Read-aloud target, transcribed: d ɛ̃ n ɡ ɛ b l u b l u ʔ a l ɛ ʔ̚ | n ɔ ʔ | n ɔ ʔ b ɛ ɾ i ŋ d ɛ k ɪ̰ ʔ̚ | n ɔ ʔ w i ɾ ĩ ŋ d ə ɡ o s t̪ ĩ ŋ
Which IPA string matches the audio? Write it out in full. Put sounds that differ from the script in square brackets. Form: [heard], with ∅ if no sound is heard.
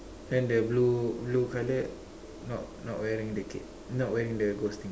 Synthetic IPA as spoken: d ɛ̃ n [d] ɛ b l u b l u [k] a l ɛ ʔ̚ | n ɔ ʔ | n ɔ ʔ [w] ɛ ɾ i ŋ d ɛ k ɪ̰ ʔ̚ | n ɔ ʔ w [ɛ] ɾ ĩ ŋ d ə ɡ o s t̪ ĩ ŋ